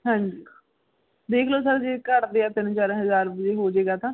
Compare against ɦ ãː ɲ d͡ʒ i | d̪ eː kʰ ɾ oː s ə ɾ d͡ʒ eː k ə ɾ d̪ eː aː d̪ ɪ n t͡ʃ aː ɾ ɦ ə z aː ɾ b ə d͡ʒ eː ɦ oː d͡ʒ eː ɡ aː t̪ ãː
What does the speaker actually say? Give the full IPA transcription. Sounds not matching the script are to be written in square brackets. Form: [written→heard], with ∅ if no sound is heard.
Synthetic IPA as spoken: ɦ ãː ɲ d͡ʒ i | d̪ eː kʰ [ɾ→l] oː s ə ɾ d͡ʒ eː k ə ɾ d̪ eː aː [d̪→t̪] ɪ n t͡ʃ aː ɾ ɦ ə z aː ɾ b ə d͡ʒ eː ɦ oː d͡ʒ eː ɡ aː t̪ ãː